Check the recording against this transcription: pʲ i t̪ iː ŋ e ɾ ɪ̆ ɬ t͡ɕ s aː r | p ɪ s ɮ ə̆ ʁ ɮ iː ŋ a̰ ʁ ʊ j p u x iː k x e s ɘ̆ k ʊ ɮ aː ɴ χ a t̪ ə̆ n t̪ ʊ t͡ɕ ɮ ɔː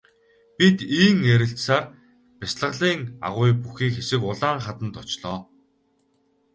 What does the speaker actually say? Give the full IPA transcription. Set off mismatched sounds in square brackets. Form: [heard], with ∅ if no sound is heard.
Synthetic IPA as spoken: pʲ i t̪ iː ŋ e ɾ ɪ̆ ɬ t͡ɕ s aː r | p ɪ s ɮ ə̆ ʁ ɮ iː ŋ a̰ ʁ ʊ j p u x iː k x e s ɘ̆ k ʊ ɮ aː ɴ χ a t̪ ə̆ n t̪ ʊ t͡ɕ ɮ ɔː